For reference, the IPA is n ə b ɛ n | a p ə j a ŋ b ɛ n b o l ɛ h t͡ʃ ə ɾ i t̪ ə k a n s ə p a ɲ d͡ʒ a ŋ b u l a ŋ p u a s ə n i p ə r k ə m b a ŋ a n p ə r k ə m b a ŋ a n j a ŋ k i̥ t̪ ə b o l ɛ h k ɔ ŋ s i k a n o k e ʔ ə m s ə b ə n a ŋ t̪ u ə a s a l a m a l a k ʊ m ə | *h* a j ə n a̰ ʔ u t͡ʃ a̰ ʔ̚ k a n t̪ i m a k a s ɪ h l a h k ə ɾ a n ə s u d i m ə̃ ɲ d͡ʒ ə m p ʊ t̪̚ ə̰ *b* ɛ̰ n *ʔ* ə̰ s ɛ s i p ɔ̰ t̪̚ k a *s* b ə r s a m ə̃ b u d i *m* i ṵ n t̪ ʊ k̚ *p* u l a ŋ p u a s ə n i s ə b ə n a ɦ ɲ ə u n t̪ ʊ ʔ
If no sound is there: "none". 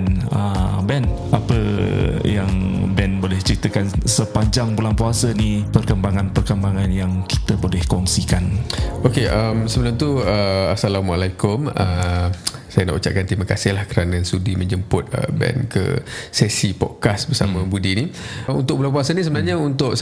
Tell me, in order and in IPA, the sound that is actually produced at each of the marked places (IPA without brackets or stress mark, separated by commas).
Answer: s, b, k, s, n, b